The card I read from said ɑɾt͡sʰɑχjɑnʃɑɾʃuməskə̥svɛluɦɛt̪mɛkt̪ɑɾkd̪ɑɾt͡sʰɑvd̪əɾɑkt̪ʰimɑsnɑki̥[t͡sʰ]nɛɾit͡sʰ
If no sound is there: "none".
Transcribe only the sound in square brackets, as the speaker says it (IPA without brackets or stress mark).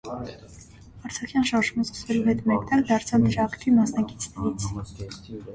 t͡sʰ